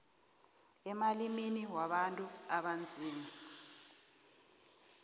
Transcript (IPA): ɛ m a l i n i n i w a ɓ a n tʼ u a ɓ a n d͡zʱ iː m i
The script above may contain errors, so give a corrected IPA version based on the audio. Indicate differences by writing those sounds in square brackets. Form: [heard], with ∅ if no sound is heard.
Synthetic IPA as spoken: ɛ m a l i [m] i n i w a ɓ a n tʼ u a ɓ a n d͡zʱ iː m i